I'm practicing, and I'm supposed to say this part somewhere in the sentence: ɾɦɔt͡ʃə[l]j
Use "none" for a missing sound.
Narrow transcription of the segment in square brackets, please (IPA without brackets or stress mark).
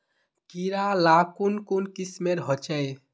none